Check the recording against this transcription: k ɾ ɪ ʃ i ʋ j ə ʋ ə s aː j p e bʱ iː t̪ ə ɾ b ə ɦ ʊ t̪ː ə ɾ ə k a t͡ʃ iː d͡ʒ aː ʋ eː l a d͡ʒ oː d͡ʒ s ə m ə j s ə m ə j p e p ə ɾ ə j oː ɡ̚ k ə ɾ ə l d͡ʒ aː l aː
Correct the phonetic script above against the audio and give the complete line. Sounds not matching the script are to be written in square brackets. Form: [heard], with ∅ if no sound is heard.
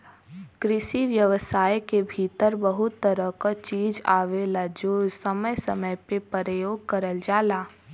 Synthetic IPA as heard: k ɾ ɪ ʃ i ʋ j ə ʋ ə s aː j [k] e bʱ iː t̪ ə ɾ b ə ɦ ʊ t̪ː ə ɾ ə k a t͡ʃ iː d͡ʒ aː ʋ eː l a d͡ʒ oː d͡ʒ s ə m ə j s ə m ə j p e p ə ɾ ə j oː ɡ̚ k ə ɾ ə l d͡ʒ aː l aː